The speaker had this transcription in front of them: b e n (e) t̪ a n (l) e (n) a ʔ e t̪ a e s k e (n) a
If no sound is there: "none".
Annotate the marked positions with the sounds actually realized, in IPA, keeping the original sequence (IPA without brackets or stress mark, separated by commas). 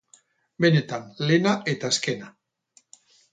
e, l, n, n